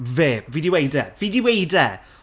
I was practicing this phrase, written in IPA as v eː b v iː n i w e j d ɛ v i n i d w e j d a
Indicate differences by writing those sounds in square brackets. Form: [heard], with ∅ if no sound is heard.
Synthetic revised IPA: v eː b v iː [d] i w e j d ɛ v i [d] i [∅] w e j d [ɛ]